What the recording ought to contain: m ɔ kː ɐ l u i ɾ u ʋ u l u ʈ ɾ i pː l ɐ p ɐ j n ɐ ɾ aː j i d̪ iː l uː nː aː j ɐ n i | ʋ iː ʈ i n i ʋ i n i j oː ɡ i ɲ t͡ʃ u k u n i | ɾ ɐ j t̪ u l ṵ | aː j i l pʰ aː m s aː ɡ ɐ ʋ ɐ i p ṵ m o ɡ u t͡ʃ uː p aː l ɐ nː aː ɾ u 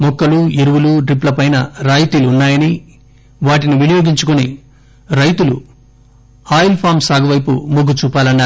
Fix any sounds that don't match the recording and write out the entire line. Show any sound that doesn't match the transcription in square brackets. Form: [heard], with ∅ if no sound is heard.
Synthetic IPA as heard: m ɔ kː ɐ l u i ɾ u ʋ u l u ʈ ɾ i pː l ɐ p ɐ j n ɐ ɾ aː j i [t̪] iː l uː nː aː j ɐ n i | ʋ [aː] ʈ i n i ʋ i n i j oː ɡ i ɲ t͡ʃ u k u n i | ɾ ɐ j t̪ u l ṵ | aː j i l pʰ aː m s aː ɡ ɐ ʋ ɐ [j] p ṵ m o ɡ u t͡ʃ uː p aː l ɐ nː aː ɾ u